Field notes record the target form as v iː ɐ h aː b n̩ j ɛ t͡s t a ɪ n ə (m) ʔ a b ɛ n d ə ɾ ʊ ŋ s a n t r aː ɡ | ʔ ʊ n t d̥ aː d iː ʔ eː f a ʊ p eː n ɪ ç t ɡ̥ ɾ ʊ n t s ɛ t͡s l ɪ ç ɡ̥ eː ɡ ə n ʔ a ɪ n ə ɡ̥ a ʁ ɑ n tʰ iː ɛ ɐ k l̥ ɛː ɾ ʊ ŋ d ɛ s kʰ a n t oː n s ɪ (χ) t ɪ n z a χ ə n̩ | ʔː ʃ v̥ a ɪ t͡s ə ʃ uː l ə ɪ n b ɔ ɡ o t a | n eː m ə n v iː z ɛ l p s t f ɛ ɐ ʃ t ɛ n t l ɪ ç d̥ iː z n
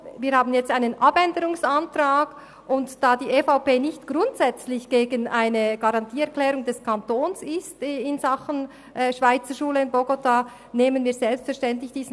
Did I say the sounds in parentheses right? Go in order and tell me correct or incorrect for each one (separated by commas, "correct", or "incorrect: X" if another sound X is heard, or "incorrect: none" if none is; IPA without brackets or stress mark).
incorrect: n, incorrect: s